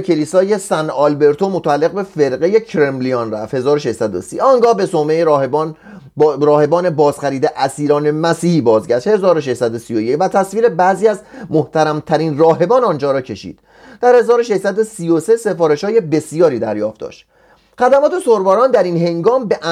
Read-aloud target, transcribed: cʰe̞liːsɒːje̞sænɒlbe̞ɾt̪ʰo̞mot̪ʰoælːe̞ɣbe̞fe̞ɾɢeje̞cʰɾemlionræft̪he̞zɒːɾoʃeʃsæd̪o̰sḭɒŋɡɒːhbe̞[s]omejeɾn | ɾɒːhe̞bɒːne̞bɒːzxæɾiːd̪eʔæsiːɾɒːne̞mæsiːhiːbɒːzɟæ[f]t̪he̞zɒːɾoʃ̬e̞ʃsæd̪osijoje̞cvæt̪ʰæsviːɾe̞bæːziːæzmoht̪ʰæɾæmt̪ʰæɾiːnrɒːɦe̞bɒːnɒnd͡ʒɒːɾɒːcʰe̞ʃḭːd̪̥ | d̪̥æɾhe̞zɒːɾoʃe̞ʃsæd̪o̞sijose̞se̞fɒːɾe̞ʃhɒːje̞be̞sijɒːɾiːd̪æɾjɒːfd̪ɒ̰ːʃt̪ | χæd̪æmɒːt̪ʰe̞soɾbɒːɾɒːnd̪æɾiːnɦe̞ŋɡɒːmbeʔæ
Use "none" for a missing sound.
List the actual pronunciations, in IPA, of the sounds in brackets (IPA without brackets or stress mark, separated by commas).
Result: s, ʃ